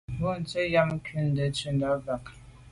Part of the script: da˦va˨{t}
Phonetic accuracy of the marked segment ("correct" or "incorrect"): incorrect